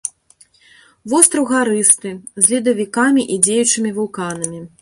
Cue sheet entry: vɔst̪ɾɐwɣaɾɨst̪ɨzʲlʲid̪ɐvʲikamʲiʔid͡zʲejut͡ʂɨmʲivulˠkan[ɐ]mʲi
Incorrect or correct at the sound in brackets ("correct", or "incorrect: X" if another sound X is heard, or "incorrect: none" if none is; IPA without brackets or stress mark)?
correct